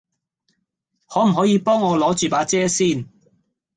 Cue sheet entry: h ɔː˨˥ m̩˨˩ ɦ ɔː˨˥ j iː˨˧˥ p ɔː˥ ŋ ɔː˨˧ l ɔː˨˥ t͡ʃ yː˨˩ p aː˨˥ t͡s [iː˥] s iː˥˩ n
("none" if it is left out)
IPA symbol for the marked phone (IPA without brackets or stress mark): ɛː˥